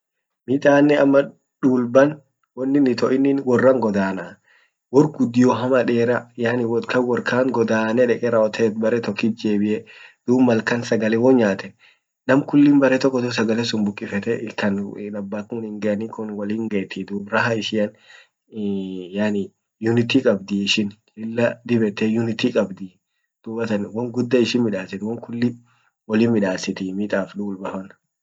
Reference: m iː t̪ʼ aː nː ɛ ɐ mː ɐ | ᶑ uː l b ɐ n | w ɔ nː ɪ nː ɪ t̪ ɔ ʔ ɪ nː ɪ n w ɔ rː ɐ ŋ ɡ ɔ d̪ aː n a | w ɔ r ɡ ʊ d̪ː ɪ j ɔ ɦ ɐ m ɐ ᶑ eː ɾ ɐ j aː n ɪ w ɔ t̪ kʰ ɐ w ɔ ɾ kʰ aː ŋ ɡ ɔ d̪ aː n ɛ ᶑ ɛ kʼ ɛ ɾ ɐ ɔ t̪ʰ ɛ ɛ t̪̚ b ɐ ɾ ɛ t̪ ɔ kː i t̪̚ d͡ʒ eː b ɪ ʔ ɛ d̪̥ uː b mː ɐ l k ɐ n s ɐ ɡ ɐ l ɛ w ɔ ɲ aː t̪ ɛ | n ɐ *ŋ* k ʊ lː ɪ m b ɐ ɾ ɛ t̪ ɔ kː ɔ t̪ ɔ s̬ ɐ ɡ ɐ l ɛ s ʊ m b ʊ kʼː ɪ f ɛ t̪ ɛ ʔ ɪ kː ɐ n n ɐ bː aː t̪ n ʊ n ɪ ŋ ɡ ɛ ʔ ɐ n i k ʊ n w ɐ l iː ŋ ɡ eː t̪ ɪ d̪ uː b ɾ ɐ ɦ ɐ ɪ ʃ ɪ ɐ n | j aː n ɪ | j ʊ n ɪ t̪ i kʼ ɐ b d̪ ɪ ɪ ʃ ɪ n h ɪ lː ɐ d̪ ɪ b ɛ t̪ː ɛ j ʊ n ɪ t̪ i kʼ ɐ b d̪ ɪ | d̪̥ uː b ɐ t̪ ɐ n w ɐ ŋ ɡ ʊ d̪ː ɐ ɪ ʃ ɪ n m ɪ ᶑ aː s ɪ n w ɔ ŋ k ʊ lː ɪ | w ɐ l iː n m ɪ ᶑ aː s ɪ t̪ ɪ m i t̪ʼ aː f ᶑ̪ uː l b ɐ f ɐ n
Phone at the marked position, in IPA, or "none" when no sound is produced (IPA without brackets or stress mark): m